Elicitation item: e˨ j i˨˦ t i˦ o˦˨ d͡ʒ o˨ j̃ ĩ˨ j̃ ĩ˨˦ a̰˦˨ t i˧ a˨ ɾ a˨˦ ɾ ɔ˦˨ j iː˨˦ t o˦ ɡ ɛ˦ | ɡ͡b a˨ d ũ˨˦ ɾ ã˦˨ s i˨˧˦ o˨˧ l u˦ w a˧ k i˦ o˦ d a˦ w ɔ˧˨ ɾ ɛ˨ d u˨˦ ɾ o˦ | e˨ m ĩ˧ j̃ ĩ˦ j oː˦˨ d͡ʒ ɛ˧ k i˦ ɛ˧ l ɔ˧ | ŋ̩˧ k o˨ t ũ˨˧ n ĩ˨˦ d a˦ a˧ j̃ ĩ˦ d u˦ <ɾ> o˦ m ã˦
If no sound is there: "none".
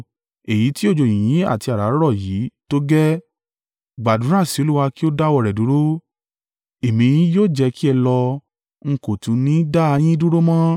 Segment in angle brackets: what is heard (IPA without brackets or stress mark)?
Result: ɾ